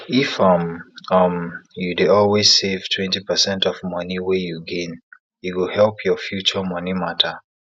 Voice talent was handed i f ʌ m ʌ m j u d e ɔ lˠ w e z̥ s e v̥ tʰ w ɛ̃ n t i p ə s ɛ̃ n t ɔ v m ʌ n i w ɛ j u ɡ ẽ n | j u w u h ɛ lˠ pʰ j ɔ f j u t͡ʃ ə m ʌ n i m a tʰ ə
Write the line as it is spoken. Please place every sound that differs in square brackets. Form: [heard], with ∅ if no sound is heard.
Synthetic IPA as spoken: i f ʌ m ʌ m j u d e ɔ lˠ w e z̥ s e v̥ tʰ w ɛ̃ n t i p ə s ɛ̃ n t ɔ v m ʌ n i w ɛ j u ɡ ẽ n | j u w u h ɛ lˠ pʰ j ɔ f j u t͡ʃ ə m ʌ n i m a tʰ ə